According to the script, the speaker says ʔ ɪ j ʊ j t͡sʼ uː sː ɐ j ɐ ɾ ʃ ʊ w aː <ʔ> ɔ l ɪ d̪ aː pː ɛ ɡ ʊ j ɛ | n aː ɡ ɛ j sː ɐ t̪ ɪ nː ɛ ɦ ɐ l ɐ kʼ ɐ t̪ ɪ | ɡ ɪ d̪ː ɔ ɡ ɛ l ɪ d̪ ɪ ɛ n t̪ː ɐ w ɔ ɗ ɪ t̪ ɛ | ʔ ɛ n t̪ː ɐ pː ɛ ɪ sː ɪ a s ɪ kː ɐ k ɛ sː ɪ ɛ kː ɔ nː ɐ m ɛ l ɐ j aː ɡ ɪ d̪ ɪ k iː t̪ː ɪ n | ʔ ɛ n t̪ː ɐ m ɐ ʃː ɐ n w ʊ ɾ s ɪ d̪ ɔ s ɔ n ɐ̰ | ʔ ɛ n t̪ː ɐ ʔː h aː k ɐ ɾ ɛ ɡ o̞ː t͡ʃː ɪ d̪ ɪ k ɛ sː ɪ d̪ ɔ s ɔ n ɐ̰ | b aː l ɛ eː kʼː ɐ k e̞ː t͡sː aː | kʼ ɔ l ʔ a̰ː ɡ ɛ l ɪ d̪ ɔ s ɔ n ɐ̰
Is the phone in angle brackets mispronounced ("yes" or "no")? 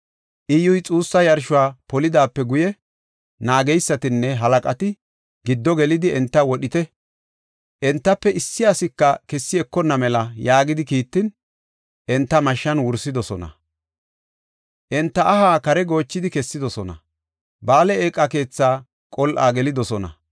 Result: yes